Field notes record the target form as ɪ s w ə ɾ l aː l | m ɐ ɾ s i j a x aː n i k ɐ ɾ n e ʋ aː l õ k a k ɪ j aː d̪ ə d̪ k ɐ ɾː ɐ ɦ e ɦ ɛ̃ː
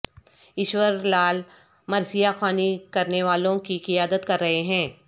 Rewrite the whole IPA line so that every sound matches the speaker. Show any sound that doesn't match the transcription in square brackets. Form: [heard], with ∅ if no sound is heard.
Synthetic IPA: ɪ [ʃ] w ə ɾ l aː l | m ɐ ɾ s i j a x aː n i k ɐ ɾ n e ʋ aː l õ k [i] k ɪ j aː d̪ ə [t̪] k ɐ ɾː ɐ ɦ e ɦ ɛ̃ː